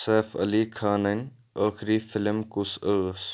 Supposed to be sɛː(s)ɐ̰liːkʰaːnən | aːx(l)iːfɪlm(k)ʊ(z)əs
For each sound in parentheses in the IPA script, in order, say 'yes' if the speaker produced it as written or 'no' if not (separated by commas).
no, no, yes, no